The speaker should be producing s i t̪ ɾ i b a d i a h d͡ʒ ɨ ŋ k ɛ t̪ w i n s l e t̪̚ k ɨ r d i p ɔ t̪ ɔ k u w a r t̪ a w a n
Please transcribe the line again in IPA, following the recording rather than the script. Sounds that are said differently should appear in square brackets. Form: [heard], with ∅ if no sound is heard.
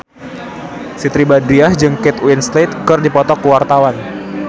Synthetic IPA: s i t̪ ɾ i b a d i a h d͡ʒ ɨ ŋ k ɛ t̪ w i n s l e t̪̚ k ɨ r d i p ɔ t̪ ɔ k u w a r t̪ a w a n